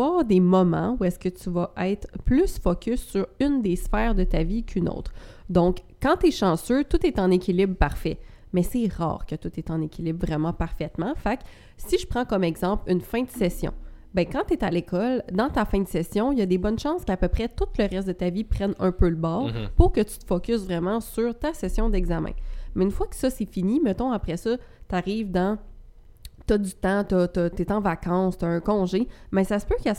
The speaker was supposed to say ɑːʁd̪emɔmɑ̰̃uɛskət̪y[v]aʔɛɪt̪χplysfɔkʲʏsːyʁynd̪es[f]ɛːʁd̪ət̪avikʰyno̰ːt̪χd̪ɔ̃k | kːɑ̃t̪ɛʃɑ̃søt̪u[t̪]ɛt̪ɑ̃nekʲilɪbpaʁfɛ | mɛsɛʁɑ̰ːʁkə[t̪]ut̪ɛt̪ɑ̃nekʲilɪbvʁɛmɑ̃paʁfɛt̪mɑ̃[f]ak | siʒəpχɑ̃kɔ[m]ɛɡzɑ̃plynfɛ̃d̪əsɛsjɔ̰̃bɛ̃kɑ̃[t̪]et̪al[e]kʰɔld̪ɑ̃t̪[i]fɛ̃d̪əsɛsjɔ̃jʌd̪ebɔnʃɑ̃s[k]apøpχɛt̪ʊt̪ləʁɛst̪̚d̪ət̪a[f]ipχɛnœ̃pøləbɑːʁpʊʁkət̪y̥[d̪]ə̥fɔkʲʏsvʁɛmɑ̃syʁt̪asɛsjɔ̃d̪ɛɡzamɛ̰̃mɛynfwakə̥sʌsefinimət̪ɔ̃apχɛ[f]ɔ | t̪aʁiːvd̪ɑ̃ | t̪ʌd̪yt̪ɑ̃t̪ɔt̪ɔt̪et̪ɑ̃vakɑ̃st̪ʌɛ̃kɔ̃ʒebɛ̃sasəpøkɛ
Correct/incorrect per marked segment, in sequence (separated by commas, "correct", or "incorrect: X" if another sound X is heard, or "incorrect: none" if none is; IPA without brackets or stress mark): correct, correct, correct, correct, correct, correct, correct, correct, incorrect: a, correct, incorrect: v, incorrect: t̪, incorrect: s